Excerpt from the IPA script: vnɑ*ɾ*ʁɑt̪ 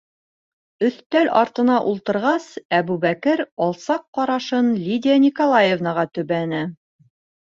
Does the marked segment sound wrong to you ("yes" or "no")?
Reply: yes